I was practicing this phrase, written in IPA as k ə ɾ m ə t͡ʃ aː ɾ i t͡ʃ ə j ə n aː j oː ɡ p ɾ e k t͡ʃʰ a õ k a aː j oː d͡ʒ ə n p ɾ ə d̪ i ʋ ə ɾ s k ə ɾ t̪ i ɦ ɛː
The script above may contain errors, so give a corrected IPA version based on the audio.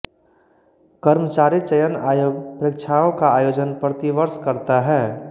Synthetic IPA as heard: k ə ɾ m ə t͡ʃ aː ɾ i t͡ʃ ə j ə n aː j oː ɡ p ɾ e k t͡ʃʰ a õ k a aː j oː d͡ʒ ə n p ɾ ə t̪ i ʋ ə ɾ s k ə ɾ t̪ a ɦ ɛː